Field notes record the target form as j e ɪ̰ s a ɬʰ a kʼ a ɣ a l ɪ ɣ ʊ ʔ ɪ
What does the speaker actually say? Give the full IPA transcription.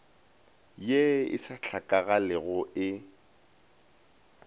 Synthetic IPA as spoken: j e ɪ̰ s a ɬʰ a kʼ a ɣ a l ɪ ɣ ʊ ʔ ɪ

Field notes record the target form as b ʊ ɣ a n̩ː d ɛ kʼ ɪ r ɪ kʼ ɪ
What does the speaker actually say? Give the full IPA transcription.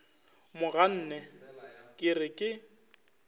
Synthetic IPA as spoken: m ʊ ɣ a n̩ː n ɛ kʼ ɪ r ɪ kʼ ɪ

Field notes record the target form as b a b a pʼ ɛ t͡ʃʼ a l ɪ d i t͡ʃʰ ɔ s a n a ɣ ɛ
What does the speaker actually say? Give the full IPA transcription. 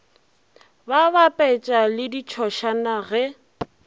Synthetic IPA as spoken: b a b a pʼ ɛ t͡ʃʼ a l ɪ d i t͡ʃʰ ɔ ʃ a n a ɣ ɛ

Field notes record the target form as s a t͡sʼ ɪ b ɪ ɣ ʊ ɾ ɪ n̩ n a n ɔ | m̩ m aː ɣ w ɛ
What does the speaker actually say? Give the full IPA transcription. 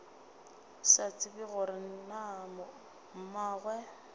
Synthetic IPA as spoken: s a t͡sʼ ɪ b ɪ ɣ ʊ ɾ ɪ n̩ n a m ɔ | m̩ m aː ɣ w ɛ

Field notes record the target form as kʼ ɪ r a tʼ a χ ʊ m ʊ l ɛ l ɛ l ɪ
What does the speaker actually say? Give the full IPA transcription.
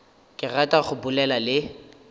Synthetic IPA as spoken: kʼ ɪ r a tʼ a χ ʊ b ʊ l ɛ l a l ɪ

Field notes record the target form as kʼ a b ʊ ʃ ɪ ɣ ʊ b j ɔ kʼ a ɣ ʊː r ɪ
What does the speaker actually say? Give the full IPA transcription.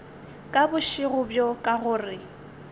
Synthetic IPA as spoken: kʼ a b ʊ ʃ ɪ ɣ ʊ b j ɔ kʼ a ɣ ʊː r ɪ

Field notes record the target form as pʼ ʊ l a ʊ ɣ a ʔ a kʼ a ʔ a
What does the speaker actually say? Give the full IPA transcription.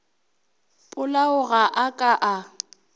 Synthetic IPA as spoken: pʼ ʊ l a ʊ ɣ a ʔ a kʼ a ʔ a

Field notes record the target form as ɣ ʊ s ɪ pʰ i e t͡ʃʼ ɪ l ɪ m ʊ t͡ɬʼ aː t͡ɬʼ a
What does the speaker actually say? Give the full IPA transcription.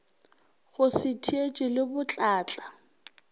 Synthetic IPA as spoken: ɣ ʊ s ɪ tʰ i e t͡ʃʼ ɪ l ɪ b ʊ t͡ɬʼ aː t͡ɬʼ a

